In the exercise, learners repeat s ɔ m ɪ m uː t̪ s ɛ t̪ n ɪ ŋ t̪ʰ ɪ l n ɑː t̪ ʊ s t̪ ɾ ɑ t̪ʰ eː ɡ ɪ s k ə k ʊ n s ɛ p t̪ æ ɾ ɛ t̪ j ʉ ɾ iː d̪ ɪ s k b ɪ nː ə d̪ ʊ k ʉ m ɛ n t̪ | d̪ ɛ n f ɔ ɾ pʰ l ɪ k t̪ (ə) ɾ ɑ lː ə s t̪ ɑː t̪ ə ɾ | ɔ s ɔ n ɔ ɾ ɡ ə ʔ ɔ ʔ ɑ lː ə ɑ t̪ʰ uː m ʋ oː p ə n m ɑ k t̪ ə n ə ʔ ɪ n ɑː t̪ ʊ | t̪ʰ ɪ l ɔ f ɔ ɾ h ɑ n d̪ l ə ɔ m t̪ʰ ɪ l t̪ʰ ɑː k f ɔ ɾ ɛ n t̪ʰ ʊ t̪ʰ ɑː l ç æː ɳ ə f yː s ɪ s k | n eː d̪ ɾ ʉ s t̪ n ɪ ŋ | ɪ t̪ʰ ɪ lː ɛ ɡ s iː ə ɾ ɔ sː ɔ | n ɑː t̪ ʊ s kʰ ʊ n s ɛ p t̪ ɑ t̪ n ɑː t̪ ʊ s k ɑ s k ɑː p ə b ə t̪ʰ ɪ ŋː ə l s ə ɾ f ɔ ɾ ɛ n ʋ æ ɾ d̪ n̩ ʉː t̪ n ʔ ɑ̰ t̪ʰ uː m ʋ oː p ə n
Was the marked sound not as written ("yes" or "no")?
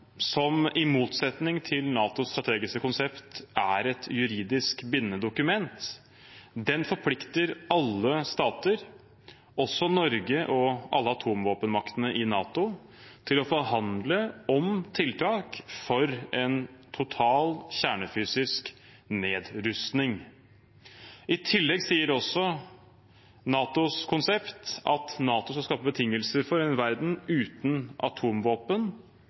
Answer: no